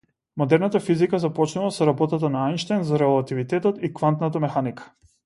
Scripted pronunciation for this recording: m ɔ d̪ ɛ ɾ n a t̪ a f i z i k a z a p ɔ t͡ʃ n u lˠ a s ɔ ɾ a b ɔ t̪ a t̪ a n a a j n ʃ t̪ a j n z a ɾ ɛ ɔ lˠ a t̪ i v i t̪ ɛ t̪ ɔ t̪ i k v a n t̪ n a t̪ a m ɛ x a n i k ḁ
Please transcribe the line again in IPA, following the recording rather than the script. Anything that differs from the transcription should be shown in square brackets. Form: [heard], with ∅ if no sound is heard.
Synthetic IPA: m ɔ d̪ ɛ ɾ n a t̪ a f i z i k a z a p ɔ t͡ʃ n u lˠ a s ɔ ɾ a b ɔ t̪ a t̪ a n a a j n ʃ t̪ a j n z a ɾ ɛ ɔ lˠ a t̪ i v i t̪ ɛ t̪ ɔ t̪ i k v a n t̪ n a t̪ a m ɛ x a n i k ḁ